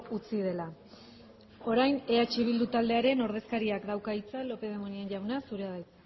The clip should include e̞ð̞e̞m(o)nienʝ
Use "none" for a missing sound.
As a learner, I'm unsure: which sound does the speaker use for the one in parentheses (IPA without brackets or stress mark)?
o